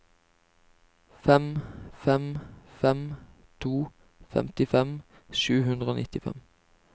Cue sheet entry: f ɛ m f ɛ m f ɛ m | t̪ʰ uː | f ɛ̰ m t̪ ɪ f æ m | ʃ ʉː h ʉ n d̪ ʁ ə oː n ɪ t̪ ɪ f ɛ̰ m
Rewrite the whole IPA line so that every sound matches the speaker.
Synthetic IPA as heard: f ɛ m f ɛ m f ɛ m | t̪ʰ uː | f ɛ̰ m t̪ ɪ f ɛ m | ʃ ʉː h ʉ n d̪ ʁ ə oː n ɪ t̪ ɪ f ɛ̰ m